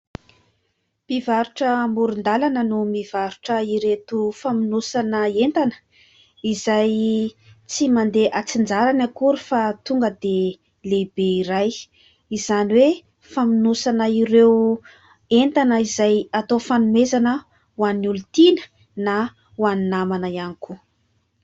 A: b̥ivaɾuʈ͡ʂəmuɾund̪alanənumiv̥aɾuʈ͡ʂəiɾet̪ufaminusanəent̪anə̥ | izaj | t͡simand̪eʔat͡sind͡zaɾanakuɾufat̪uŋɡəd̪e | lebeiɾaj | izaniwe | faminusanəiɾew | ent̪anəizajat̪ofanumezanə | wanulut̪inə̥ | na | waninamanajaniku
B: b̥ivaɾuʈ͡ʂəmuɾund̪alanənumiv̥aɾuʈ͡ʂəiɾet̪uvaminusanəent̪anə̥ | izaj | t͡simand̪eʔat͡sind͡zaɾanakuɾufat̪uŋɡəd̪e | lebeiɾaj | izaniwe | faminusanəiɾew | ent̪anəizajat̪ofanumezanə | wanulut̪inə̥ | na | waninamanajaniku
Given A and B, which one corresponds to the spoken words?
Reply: A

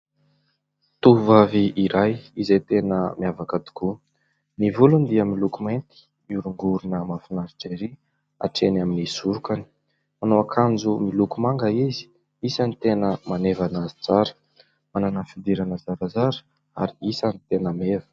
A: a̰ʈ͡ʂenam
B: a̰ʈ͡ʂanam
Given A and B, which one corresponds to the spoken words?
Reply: A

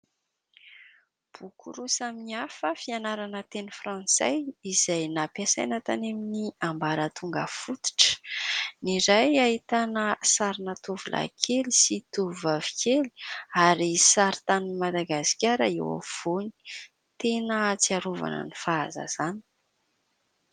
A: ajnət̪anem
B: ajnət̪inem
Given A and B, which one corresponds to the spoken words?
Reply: A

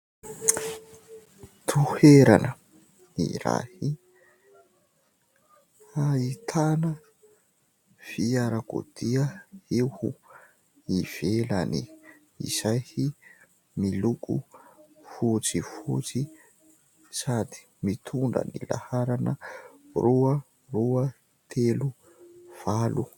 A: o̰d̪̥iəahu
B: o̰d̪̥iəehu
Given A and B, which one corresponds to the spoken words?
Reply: B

